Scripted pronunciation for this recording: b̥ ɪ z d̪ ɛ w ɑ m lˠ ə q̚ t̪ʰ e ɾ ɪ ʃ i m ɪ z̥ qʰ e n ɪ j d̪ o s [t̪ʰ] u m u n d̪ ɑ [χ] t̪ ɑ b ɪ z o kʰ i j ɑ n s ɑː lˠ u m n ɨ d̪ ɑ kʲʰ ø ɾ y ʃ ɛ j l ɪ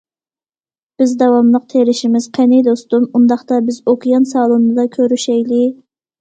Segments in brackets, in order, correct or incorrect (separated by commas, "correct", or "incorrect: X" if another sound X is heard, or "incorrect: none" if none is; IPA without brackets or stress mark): incorrect: t̪, correct